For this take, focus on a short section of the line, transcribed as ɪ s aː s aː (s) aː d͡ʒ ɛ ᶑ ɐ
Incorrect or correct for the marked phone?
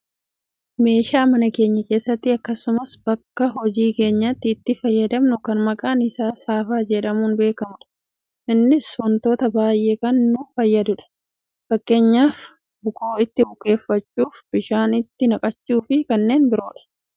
incorrect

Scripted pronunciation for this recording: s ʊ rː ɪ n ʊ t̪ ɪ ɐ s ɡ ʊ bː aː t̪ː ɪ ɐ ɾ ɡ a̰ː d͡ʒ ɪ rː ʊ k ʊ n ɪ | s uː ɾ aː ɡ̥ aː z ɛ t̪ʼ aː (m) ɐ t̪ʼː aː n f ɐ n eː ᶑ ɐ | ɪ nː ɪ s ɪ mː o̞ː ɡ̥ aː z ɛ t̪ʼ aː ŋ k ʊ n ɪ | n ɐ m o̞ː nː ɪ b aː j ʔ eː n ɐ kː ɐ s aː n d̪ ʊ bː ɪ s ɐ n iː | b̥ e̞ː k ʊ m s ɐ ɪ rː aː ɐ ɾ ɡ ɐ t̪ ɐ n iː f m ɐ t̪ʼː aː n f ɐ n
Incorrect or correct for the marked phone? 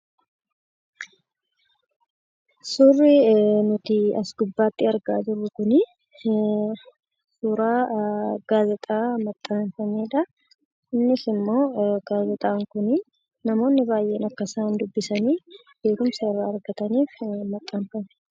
correct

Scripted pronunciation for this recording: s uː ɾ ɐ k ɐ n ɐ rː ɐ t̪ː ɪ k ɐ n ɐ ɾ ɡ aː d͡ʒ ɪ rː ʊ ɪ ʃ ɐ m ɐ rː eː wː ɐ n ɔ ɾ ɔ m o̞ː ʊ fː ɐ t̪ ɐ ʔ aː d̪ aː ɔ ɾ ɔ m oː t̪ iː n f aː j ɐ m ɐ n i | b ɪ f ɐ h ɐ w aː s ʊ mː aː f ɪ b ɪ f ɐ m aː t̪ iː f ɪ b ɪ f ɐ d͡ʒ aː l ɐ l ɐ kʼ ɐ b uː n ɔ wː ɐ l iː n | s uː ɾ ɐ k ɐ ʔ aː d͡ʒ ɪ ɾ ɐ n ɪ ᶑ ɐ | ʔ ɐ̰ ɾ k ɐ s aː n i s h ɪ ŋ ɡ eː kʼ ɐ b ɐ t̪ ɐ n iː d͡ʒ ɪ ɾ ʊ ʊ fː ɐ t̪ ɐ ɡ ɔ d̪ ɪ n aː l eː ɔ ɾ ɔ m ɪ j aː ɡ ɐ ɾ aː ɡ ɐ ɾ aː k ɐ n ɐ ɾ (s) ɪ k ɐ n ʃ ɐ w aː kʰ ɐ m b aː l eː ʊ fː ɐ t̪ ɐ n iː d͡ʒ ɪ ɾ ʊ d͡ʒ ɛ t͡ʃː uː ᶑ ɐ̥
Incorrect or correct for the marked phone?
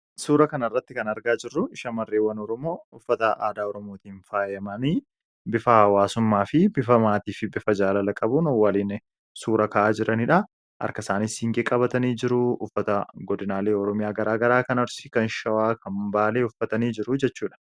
correct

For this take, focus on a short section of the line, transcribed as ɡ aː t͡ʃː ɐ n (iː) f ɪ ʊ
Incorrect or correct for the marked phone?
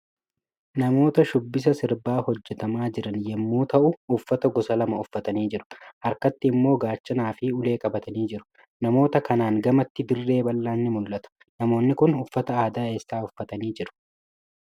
incorrect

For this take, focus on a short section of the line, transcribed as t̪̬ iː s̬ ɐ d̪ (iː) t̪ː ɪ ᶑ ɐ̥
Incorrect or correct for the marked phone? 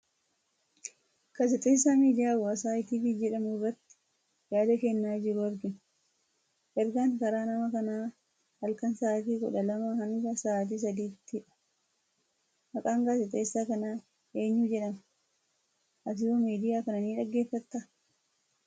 correct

